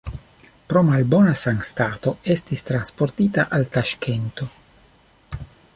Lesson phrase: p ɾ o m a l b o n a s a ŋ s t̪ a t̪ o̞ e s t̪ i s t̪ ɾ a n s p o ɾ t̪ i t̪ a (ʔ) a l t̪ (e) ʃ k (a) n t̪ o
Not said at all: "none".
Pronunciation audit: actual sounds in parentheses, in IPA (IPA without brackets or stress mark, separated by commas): ʔ, a, e